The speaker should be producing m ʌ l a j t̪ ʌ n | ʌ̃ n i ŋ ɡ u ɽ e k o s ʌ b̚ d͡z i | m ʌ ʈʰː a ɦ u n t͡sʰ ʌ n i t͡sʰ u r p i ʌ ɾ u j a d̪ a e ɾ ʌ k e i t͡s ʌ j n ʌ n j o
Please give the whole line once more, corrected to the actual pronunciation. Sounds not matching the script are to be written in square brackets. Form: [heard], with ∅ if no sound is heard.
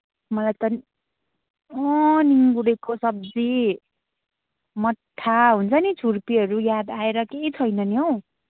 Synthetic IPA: m ʌ l a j t̪ ʌ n | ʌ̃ n i ŋ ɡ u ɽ e k o s ʌ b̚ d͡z i | m ʌ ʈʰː a ɦ u n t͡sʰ ʌ n i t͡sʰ u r p i ʌ ɾ u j a d̪ a e ɾ ʌ k e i [t͡sʰ] ʌ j n ʌ n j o